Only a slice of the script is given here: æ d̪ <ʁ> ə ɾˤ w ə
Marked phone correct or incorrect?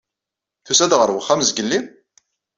correct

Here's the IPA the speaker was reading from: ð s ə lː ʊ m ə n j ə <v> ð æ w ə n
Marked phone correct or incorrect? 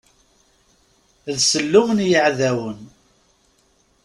incorrect: ʕ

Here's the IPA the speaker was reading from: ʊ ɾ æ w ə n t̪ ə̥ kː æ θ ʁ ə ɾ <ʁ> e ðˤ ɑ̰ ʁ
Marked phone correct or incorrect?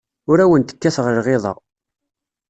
correct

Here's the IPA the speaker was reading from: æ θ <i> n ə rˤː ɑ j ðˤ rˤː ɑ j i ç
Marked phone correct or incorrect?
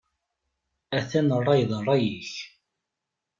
incorrect: æ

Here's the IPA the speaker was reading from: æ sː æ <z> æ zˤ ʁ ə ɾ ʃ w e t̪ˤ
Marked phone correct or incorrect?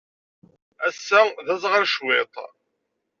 incorrect: ð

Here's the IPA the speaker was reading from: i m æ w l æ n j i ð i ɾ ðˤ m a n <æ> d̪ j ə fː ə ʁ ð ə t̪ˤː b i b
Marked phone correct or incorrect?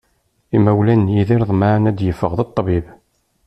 correct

